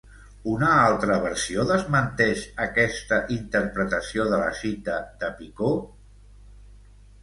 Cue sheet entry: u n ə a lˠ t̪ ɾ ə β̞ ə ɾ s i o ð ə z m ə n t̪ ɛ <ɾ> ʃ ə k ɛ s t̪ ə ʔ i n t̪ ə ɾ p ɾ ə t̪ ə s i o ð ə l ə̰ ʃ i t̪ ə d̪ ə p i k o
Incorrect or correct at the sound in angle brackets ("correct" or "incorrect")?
incorrect